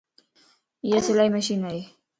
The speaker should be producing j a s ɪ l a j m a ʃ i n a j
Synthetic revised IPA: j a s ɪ l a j m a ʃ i n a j